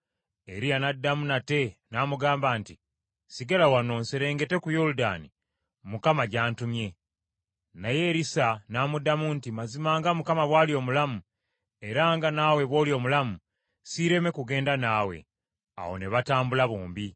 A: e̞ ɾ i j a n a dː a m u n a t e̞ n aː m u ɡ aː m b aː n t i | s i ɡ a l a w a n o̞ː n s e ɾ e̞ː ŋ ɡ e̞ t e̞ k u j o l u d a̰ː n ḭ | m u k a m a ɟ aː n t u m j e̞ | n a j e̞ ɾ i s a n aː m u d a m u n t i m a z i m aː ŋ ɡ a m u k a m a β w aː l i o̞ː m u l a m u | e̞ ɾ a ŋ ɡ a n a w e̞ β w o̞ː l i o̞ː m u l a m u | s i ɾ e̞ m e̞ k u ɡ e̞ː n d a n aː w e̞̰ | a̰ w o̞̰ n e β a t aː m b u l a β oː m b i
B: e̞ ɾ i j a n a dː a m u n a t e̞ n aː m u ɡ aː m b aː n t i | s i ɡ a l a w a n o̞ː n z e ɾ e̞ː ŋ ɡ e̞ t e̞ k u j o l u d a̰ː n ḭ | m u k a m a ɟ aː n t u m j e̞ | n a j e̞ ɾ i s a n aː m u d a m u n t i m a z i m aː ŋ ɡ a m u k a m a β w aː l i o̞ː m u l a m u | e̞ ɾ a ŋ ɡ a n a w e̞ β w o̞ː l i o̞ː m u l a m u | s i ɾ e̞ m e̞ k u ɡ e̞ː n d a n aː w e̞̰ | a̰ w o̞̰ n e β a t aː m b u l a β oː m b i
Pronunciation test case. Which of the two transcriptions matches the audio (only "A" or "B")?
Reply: A